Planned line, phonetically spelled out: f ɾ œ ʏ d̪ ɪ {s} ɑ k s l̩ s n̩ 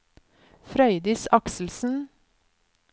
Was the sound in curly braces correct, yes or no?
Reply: yes